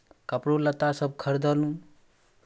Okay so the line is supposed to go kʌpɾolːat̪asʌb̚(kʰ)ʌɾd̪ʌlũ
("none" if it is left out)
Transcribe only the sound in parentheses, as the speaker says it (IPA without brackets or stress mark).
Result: kʰ